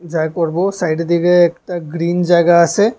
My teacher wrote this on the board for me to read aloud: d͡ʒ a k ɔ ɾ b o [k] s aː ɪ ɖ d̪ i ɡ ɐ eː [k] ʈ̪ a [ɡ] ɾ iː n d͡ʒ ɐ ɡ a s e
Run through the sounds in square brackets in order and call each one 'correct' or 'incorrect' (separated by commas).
incorrect, correct, correct